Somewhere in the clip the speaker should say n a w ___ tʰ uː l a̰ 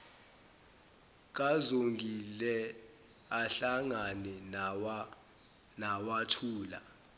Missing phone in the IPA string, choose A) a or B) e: A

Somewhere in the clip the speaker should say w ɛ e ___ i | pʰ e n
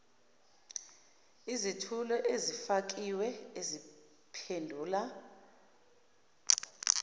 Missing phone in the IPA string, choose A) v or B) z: B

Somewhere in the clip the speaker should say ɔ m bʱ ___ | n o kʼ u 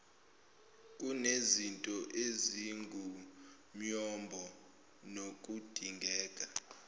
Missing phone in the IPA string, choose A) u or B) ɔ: B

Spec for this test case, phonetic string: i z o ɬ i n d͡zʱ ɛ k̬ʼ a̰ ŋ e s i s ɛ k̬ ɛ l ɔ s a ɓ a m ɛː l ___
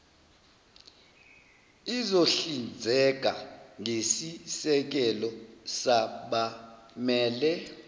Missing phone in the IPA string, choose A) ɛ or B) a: A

